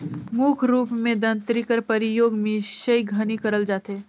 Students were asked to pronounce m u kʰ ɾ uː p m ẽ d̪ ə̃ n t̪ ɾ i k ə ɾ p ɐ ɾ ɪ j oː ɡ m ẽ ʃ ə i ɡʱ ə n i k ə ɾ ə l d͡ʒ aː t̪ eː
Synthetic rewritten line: m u kʰ ɾ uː p m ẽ d̪ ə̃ n t̪ ɾ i k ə ɾ p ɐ ɾ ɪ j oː ɡ m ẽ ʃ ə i ɡʱ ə n i k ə ɾ ə l d͡ʒ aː t̪ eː